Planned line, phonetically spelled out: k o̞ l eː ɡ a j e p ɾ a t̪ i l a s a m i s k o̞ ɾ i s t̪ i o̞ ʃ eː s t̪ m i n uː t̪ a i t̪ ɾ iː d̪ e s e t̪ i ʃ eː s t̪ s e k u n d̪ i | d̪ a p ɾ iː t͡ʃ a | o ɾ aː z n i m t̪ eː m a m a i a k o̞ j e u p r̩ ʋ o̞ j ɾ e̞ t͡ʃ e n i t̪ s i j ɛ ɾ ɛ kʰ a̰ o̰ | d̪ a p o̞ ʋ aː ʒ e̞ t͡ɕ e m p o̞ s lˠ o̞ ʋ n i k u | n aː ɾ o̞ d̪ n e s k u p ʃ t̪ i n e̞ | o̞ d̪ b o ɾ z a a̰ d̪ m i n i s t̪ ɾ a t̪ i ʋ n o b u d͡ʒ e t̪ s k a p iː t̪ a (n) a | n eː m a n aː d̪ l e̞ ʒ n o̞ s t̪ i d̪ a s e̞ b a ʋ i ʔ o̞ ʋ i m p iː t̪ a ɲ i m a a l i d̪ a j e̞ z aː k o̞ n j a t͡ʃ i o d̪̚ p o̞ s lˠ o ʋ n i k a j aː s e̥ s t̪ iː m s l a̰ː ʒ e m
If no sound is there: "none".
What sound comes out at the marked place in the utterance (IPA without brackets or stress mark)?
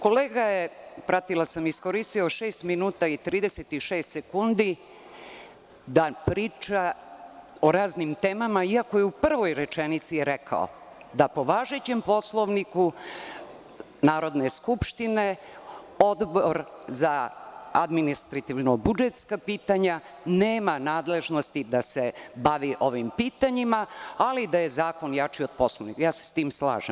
ɲ